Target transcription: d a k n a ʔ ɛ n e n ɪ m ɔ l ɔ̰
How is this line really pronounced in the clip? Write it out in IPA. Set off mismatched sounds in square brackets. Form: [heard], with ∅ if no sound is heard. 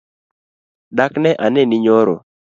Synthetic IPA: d a k n [ɛ] ʔ [a] n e n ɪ [ɲ] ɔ [ɾ] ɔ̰

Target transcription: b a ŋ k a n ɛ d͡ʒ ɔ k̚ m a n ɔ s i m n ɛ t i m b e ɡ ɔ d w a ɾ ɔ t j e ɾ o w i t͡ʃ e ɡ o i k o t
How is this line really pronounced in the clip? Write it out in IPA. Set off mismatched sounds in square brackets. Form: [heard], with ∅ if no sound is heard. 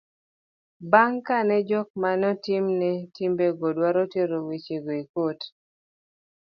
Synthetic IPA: b a ŋ k a n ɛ d͡ʒ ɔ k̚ m a n ɔ [t] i m n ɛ t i m b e ɡ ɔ d w a ɾ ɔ t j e ɾ o w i t͡ʃ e ɡ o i k o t

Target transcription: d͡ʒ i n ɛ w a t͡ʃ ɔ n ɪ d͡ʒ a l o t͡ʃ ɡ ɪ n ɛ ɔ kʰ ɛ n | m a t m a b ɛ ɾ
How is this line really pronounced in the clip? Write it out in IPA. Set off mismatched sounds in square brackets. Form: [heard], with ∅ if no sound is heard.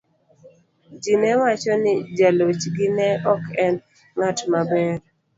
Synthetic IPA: d͡ʒ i n ɛ w a t͡ʃ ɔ n ɪ d͡ʒ a l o t͡ʃ ɡ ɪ n ɛ ɔ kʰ ɛ n | [ŋ] a t m a b ɛ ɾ

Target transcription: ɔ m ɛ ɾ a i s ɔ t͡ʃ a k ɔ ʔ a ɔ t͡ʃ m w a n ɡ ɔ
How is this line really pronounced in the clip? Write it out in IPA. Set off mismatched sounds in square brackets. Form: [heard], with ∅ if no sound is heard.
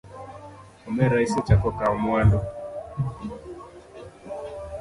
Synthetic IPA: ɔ m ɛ ɾ a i s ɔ t͡ʃ a k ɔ [k] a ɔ [∅] m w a n [d] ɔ

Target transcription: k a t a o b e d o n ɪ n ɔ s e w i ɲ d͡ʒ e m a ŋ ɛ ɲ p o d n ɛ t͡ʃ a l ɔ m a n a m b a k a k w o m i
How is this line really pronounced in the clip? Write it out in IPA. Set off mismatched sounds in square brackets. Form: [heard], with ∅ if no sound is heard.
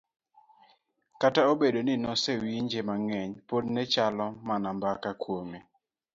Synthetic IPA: k a t a o b e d o n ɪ n ɔ s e w i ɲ d͡ʒ e m a ŋ ɛ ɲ p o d n ɛ t͡ʃ a l ɔ m a n a m b a k a k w o m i

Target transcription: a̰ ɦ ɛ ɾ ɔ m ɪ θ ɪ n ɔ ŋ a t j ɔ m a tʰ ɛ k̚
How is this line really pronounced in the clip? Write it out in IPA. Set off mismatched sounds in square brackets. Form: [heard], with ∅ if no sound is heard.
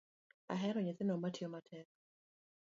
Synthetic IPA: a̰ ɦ ɛ ɾ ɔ [ɲ] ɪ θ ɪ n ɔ [m] a t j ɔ m a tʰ ɛ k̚

